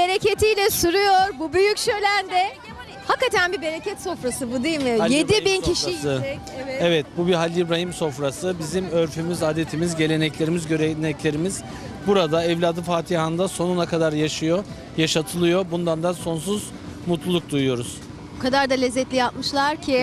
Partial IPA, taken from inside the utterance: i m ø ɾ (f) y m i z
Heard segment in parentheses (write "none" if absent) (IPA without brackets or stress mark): f